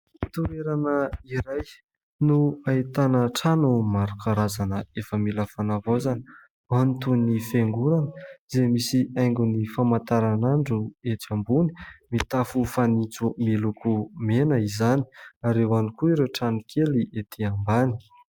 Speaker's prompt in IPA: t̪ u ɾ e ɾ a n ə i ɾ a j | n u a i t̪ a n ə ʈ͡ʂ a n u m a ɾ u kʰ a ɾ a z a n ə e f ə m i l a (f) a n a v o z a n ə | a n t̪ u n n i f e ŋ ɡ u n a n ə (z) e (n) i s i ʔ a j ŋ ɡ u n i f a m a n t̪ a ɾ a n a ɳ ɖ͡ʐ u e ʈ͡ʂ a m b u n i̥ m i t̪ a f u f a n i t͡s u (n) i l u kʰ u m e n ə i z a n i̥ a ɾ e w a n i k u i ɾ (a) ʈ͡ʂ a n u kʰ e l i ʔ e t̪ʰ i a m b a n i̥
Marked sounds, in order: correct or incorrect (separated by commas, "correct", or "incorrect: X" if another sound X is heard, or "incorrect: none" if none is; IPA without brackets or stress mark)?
correct, correct, incorrect: m, incorrect: m, incorrect: e